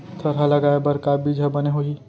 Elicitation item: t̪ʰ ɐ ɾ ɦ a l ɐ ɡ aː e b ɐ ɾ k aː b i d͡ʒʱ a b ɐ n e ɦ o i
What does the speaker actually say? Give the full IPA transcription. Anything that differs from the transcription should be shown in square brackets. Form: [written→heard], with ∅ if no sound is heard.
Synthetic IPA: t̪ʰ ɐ ɾ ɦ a l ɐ ɡ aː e b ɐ ɾ k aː b i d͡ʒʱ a b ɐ n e ɦ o i